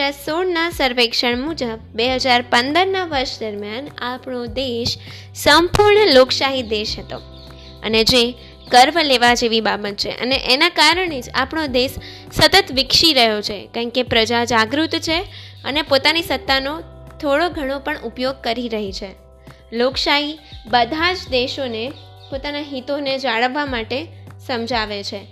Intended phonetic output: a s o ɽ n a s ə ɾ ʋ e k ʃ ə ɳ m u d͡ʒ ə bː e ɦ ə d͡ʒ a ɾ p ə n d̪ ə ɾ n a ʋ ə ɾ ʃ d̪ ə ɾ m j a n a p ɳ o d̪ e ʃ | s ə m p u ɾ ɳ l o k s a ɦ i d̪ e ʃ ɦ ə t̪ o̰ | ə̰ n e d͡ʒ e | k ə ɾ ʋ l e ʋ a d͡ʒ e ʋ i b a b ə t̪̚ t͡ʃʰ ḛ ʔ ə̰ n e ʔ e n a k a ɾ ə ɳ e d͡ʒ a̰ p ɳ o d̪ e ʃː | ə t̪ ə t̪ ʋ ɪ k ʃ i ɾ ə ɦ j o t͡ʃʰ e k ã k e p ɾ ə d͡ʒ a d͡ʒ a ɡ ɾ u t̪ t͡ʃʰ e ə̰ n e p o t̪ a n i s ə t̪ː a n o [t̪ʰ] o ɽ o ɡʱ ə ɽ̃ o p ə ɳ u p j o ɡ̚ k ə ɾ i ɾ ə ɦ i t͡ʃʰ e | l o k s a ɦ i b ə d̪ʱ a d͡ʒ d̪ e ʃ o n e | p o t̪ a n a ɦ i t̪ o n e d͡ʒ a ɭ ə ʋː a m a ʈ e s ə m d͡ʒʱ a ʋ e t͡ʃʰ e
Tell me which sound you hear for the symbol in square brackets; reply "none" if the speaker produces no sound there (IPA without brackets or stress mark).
t̪ʰ